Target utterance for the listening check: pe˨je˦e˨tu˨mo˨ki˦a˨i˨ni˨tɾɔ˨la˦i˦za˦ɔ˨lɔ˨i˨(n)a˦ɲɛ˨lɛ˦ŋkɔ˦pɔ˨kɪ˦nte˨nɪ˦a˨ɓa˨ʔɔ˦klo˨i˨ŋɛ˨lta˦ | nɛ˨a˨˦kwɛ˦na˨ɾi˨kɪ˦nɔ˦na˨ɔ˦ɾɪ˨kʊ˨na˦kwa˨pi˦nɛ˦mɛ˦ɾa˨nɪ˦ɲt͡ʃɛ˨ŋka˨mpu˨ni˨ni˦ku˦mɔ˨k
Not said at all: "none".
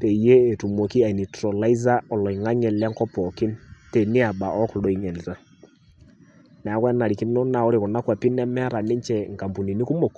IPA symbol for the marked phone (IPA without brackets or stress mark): ŋ